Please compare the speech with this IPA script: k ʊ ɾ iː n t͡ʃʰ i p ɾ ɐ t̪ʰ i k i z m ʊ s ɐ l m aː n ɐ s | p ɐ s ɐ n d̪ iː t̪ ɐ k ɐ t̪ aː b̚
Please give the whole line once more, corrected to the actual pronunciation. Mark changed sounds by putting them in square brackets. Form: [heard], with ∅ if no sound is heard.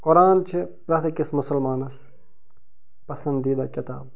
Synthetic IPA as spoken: k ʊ ɾ [aː] n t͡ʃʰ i p ɾ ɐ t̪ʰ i k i [s] m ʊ s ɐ l m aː n ɐ s | p ɐ s ɐ n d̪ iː [d̪] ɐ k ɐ t̪ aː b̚